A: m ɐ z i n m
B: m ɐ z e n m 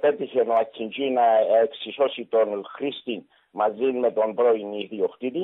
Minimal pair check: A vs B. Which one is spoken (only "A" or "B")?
A